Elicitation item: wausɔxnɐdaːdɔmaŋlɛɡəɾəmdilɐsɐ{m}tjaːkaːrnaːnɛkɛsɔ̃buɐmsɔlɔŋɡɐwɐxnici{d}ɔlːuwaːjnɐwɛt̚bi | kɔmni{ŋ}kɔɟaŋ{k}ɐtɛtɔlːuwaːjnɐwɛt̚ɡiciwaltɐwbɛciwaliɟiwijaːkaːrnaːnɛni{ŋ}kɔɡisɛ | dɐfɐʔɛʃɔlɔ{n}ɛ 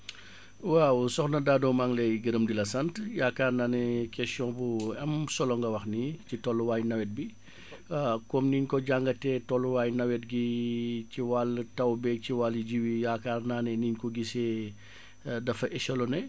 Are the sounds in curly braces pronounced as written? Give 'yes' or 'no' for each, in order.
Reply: no, no, no, no, no, yes

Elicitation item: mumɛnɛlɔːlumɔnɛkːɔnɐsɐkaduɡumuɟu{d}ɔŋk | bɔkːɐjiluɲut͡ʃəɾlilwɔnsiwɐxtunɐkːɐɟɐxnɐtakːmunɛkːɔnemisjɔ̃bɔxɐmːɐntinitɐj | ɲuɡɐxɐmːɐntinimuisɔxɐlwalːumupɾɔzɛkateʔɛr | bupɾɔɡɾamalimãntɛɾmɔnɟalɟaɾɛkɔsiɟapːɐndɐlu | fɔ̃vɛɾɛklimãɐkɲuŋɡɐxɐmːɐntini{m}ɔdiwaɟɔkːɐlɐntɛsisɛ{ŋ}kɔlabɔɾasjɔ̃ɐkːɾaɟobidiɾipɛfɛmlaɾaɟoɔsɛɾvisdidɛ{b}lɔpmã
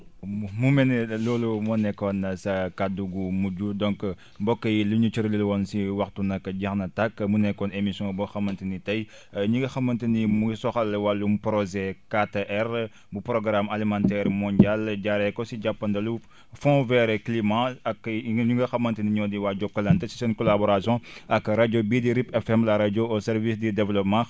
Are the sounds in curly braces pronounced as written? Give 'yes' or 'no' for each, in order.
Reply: yes, no, no, no

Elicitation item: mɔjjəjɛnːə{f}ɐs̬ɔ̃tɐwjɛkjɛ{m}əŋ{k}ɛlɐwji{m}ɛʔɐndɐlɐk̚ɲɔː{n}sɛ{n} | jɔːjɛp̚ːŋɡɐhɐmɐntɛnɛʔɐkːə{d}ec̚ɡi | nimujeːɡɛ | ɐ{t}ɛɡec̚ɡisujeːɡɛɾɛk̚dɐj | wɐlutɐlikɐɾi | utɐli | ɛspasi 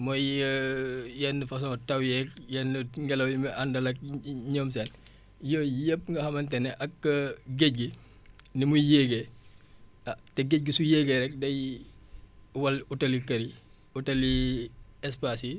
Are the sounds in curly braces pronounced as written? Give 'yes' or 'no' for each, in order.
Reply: yes, no, no, yes, no, yes, no, yes

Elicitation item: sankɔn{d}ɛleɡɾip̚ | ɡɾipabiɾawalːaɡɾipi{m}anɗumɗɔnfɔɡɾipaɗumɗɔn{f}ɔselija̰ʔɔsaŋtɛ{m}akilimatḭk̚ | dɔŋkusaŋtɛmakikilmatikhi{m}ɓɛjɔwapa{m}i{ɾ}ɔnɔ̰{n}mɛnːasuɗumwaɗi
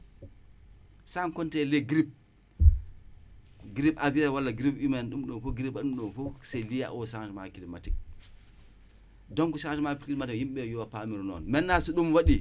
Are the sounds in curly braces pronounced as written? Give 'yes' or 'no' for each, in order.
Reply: no, yes, yes, yes, yes, yes, yes, yes

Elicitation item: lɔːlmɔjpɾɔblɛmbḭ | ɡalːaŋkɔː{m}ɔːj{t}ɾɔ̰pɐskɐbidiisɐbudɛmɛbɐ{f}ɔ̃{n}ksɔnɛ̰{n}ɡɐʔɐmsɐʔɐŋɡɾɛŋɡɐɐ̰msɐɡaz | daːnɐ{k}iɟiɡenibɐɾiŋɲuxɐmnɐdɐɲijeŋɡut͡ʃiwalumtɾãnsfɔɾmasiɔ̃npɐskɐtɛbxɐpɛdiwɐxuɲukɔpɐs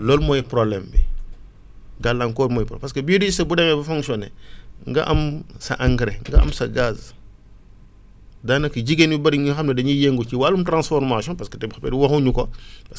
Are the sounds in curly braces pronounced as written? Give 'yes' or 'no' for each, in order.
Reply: yes, no, yes, no, no, yes

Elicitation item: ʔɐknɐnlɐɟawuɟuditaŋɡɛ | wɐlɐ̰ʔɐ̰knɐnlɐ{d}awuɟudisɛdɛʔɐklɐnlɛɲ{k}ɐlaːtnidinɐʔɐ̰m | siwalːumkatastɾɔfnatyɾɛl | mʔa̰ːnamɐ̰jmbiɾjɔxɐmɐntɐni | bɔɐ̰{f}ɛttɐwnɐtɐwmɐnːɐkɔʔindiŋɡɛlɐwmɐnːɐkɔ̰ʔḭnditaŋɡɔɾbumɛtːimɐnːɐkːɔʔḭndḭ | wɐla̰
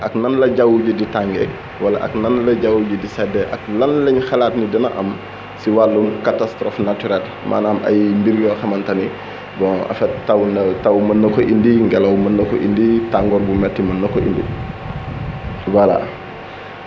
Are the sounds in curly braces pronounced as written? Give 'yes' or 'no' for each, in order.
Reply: no, no, yes

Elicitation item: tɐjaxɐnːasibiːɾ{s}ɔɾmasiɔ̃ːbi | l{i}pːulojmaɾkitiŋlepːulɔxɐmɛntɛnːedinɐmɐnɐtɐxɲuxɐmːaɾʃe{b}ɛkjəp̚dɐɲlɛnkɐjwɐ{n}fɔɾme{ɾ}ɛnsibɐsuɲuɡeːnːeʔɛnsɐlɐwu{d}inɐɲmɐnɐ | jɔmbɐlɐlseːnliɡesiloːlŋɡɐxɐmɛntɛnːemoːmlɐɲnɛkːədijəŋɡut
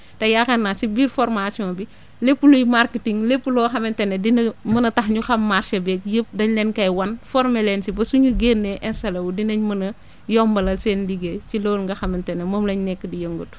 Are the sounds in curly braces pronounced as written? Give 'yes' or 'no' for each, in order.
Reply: no, no, yes, yes, no, yes

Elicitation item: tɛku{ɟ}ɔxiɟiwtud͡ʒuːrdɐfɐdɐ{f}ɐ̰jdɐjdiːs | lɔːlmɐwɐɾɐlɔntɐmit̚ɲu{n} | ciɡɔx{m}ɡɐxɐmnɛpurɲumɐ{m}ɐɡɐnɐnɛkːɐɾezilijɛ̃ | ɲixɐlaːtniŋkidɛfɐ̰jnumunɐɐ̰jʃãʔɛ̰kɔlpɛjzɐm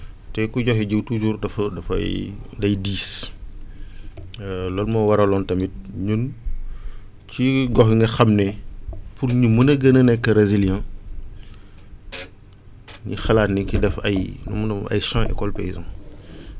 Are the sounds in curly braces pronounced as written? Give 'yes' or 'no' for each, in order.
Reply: yes, yes, yes, no, no

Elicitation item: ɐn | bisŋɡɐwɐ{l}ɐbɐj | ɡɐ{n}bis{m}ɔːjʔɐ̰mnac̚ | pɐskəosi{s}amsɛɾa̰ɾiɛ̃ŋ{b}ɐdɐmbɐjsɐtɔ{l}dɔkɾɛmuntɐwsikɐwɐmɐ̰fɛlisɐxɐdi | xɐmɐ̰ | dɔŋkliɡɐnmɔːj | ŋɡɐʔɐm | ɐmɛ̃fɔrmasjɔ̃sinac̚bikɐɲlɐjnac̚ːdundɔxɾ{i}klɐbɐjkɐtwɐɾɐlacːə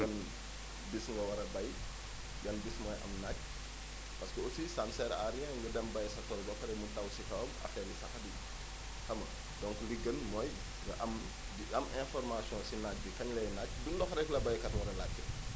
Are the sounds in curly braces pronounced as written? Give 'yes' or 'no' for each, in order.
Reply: no, yes, yes, yes, no, yes, no

